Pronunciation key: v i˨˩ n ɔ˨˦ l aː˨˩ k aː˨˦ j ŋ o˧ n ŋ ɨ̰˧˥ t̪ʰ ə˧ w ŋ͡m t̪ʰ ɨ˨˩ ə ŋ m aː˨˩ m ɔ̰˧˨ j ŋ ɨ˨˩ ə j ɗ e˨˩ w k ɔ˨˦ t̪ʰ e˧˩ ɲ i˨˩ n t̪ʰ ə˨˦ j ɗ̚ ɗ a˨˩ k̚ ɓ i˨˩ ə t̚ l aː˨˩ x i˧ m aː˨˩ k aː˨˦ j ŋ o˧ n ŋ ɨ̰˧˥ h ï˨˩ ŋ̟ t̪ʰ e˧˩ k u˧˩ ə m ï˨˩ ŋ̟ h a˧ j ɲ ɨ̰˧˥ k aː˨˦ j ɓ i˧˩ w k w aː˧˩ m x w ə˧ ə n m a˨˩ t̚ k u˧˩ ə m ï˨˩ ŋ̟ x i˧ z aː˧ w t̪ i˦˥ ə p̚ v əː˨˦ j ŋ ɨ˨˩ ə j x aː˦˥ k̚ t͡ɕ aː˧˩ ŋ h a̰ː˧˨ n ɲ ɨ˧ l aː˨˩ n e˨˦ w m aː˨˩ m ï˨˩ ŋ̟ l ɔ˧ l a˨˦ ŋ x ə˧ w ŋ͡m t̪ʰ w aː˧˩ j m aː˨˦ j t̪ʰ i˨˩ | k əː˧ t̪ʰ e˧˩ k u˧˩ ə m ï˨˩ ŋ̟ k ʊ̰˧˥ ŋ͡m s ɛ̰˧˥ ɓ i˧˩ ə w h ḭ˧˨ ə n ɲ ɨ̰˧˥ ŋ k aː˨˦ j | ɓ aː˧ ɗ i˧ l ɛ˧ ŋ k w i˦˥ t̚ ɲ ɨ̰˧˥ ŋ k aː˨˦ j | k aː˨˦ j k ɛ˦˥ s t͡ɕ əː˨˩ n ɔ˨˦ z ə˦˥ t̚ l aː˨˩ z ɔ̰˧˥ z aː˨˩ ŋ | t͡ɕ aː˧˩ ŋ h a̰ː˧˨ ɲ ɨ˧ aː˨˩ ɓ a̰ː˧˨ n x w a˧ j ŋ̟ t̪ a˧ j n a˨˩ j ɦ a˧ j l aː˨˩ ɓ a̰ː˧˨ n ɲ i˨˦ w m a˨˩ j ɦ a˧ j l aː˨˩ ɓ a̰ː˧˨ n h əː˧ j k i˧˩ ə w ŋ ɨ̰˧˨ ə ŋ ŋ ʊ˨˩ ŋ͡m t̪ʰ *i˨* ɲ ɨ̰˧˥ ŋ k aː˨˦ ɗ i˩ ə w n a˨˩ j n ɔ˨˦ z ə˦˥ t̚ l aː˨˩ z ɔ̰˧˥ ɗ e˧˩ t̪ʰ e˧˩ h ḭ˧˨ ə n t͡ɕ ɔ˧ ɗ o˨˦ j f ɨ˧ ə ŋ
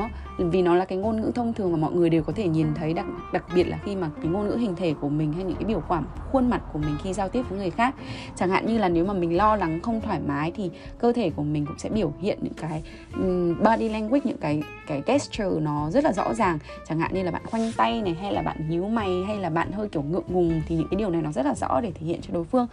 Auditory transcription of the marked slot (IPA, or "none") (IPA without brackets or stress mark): i˨